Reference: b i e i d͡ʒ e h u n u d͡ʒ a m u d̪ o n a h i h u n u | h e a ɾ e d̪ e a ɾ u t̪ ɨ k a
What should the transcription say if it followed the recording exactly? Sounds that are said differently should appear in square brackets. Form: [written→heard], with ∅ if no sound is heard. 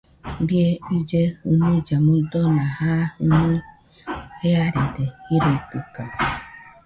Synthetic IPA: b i e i d͡ʒ e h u n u d͡ʒ a m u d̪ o n a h [i→a] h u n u | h e a ɾ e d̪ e [a→i] ɾ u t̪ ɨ k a